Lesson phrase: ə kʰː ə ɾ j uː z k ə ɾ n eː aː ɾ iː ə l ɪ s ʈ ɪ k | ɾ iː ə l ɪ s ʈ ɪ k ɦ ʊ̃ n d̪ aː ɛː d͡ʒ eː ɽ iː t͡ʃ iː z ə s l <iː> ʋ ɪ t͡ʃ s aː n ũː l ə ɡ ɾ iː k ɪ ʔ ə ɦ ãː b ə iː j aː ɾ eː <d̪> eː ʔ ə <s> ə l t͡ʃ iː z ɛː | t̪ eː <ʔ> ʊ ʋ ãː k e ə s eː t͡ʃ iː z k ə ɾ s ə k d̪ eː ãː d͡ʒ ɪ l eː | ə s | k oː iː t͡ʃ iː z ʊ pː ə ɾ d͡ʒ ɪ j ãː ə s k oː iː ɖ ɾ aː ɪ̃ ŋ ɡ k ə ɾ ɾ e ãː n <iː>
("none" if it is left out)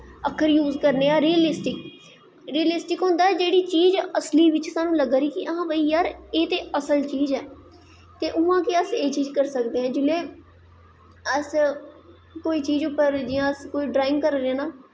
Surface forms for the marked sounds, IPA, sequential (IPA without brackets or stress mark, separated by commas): iː, t̪, s, ʔ, aː